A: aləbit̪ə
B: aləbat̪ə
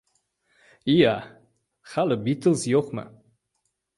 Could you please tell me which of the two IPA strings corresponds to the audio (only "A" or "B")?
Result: A